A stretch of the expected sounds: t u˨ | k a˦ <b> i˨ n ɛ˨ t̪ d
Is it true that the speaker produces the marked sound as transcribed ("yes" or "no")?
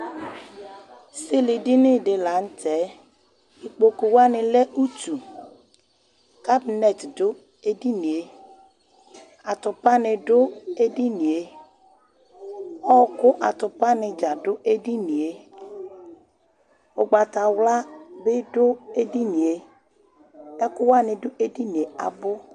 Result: yes